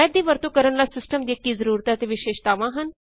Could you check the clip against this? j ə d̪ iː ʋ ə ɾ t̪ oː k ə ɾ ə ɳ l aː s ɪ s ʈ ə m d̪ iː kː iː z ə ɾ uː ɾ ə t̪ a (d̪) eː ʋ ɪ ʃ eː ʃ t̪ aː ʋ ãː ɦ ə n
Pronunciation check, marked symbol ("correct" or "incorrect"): incorrect